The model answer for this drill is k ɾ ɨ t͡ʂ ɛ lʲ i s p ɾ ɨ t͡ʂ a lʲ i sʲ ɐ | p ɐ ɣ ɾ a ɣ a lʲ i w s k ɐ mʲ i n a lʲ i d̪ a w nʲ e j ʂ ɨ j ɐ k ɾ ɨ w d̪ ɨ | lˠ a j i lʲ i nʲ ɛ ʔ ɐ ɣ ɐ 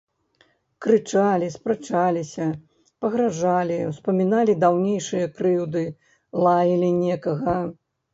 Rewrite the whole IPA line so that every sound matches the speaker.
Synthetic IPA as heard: k ɾ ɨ t͡ʂ a lʲ i s p ɾ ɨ t͡ʂ a lʲ i sʲ ɐ | p ɐ ɣ ɾ a ʐ a lʲ i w s p ɐ mʲ i n a lʲ i d̪ a w nʲ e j ʂ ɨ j ɐ k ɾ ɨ w d̪ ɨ | lˠ a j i lʲ i nʲ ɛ k ɐ ɣ ɐ